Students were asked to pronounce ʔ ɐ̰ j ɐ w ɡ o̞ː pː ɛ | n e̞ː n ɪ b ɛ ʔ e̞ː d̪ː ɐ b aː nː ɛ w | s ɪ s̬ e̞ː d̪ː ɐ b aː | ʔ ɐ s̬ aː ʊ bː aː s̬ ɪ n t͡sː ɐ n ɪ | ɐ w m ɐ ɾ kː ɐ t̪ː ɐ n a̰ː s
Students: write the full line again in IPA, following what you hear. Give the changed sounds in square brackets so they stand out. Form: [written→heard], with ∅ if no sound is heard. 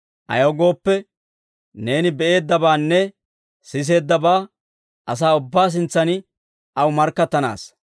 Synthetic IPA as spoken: ʔ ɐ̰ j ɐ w ɡ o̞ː pː ɛ | n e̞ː n ɪ b ɛ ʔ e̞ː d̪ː ɐ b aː nː ɛ [w→∅] | s ɪ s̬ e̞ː d̪ː ɐ b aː | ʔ ɐ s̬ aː ʊ bː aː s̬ ɪ n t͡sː ɐ n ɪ | ɐ w m ɐ ɾ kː ɐ t̪ː ɐ n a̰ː s